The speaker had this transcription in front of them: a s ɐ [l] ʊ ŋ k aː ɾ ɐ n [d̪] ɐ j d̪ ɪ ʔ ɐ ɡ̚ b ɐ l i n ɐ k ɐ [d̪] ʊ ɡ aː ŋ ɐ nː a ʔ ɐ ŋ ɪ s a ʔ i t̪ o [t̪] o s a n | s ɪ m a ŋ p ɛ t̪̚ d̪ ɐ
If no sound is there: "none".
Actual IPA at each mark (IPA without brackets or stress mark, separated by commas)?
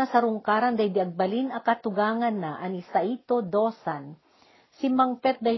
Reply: ɾ, d̪, t̪, d̪